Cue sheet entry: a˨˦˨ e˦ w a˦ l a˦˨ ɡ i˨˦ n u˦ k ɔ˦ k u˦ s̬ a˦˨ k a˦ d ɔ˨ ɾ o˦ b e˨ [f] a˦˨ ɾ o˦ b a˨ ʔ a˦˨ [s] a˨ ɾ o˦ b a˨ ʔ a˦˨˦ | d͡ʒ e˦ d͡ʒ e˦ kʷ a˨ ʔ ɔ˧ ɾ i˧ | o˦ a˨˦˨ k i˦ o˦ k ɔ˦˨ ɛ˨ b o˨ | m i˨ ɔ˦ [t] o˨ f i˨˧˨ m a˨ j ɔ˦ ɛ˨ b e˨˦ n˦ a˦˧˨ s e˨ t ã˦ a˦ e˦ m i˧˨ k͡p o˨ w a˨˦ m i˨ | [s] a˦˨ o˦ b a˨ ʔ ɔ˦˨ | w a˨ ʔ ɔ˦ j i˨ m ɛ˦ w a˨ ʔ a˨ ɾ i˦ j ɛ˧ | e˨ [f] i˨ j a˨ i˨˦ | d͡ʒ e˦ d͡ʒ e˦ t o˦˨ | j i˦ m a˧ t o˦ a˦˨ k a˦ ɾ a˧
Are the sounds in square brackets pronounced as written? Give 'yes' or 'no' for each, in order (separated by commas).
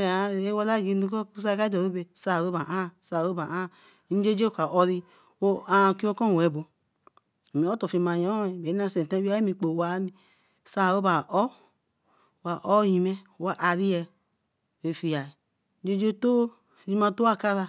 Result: no, yes, yes, yes, yes